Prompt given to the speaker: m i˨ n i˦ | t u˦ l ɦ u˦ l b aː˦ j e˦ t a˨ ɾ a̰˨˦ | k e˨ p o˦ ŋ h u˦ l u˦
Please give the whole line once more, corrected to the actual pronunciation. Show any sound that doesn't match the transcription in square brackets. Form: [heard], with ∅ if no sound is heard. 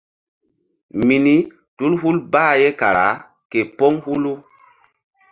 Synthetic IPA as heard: m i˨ n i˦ | t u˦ l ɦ u˦ l b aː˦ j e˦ [k] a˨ ɾ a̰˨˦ | k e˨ p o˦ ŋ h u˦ l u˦